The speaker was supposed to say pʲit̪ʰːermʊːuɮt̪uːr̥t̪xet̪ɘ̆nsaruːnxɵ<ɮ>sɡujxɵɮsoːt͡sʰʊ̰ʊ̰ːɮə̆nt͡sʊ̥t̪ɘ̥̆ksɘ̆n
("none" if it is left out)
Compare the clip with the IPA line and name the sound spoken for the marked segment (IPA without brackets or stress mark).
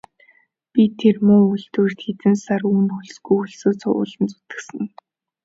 ɮ